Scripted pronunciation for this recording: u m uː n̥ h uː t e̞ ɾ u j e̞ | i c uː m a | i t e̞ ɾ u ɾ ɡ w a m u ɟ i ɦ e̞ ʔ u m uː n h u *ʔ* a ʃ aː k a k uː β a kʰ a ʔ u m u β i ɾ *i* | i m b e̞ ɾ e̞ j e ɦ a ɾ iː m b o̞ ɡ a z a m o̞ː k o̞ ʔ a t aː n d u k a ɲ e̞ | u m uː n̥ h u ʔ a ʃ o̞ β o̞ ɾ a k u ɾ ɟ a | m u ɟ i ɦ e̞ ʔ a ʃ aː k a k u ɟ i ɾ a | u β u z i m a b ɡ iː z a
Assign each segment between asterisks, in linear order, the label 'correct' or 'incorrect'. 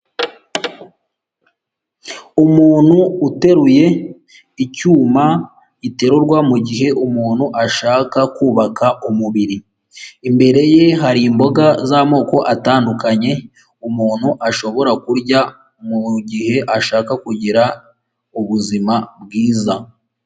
correct, correct

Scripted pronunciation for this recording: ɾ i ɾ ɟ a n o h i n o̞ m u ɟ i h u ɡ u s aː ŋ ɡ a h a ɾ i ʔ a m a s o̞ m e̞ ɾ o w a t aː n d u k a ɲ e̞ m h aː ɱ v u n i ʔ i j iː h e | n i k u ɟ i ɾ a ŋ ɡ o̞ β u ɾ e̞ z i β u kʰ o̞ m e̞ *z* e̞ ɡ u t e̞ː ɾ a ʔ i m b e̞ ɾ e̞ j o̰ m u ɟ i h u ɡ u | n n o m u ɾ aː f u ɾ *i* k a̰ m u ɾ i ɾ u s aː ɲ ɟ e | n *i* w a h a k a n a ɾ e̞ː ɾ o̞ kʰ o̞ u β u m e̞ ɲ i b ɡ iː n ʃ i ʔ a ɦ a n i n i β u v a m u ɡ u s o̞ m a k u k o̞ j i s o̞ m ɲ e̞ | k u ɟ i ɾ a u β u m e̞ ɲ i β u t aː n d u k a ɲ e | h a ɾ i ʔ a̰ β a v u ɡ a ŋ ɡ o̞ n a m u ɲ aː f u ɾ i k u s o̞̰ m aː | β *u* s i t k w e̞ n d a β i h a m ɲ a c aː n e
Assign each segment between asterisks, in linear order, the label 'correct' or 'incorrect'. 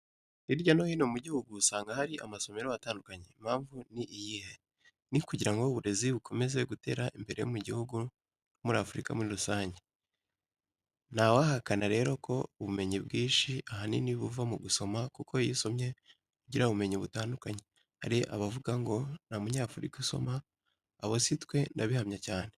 correct, correct, incorrect, incorrect

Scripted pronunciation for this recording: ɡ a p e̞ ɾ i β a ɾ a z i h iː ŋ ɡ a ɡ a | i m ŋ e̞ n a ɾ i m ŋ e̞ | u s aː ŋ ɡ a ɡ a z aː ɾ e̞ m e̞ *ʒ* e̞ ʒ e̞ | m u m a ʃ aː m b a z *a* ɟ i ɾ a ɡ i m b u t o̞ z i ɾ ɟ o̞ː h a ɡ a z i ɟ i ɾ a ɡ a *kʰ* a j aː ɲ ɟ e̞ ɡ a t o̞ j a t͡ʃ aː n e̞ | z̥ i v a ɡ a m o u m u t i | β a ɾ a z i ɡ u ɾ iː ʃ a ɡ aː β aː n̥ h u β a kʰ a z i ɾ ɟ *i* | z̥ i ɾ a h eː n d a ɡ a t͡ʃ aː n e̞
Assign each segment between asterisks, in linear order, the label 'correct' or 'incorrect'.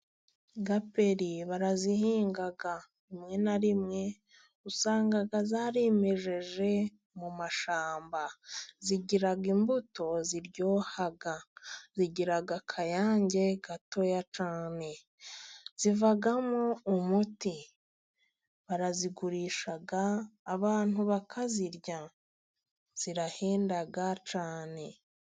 correct, incorrect, correct, incorrect

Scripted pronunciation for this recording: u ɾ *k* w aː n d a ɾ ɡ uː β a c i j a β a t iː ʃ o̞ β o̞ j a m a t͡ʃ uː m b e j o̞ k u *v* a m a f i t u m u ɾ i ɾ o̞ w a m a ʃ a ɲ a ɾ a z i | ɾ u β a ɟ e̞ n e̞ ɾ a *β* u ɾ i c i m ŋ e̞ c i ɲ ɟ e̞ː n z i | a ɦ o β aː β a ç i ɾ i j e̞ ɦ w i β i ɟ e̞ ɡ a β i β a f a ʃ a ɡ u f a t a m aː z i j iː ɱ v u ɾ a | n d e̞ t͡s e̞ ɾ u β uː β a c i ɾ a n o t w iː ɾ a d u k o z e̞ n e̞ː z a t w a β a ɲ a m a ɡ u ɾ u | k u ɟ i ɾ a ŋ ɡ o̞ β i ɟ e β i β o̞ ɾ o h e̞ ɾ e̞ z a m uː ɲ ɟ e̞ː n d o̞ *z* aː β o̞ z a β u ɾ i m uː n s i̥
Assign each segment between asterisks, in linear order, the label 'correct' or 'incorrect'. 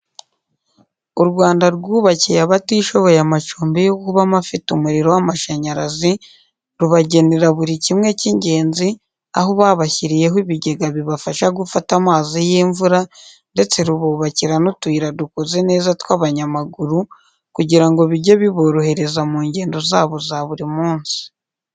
incorrect, incorrect, correct, correct

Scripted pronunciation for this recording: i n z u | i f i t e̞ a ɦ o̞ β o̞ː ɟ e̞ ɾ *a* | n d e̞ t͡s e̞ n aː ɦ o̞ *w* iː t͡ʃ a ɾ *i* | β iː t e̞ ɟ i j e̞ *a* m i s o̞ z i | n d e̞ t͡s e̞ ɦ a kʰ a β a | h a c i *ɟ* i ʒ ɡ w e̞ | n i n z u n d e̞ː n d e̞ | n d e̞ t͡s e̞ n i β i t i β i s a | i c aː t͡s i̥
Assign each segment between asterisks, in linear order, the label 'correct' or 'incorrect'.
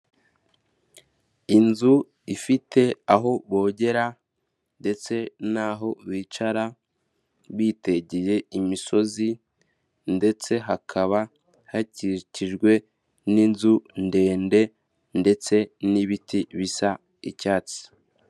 correct, incorrect, incorrect, incorrect, incorrect

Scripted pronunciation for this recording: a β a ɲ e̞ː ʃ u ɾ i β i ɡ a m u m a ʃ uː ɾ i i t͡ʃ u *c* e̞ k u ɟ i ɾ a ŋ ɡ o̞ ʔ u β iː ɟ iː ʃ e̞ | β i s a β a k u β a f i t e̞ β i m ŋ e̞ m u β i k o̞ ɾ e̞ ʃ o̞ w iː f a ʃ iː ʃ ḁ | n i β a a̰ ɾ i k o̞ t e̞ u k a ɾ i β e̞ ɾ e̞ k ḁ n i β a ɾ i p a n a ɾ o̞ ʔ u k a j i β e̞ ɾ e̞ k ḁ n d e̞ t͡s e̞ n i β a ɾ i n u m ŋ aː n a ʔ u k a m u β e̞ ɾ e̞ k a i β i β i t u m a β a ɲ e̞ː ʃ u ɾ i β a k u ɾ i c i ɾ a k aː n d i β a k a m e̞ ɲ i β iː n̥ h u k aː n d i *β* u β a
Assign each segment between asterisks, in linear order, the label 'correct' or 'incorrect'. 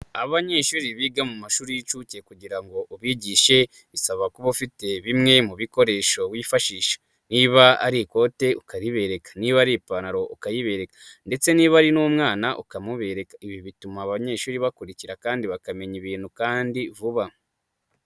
correct, incorrect

